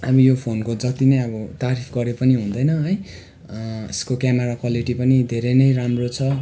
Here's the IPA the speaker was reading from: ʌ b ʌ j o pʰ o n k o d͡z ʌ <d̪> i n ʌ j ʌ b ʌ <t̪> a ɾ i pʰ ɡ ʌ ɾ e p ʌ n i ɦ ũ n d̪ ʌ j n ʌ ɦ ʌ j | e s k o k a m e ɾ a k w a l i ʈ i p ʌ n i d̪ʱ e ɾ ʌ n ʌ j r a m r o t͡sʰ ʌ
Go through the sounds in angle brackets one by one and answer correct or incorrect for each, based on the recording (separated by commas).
incorrect, correct